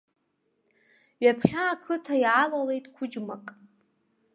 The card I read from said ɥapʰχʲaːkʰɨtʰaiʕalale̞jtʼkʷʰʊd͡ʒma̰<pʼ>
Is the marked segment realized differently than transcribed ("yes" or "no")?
yes